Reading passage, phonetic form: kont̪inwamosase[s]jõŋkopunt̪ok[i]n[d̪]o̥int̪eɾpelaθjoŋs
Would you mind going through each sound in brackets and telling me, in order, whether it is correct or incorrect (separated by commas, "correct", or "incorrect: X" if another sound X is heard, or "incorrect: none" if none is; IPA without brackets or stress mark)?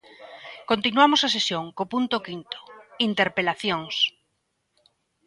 correct, correct, incorrect: t̪